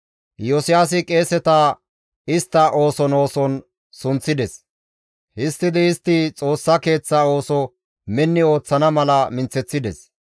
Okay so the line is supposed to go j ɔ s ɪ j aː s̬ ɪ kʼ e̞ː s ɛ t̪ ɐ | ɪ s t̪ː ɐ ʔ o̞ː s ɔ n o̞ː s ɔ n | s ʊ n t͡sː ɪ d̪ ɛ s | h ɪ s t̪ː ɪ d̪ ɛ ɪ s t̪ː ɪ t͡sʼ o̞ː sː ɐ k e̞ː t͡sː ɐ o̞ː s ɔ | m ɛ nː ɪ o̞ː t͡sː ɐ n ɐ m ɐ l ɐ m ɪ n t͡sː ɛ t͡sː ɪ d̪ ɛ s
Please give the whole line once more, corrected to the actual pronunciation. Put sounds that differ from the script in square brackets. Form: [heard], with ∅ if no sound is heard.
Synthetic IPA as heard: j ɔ s ɪ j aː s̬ ɪ kʼ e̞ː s ɛ t̪ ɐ | ɪ s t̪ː ɐ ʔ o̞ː s ɔ n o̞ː s ɔ n | s ʊ n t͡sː ɪ d̪ ɛ s | h ɪ s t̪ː ɪ d̪ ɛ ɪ s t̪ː ɪ t͡sʼ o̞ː sː ɐ k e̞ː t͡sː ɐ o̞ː s ɔ | m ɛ nː ɪ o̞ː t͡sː ɐ n ɐ m ɐ l ɐ m ɪ n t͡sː ɛ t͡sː ɪ d̪ ɛ s